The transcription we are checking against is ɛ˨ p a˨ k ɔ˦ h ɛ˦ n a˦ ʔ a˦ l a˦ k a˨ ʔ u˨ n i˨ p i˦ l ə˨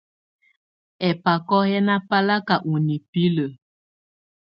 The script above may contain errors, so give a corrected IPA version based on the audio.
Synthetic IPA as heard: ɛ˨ p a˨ k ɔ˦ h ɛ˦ n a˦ p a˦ l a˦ k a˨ ʔ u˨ n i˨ p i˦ l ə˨